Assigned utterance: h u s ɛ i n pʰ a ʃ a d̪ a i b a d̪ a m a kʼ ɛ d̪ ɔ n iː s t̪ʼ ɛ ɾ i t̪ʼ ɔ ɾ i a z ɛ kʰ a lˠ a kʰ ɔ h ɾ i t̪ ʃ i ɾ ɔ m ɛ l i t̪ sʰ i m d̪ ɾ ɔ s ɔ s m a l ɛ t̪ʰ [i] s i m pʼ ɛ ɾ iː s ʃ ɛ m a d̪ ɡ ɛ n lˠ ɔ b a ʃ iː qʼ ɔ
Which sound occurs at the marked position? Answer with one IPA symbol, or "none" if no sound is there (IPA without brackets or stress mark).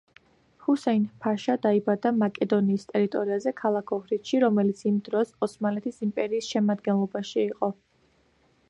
i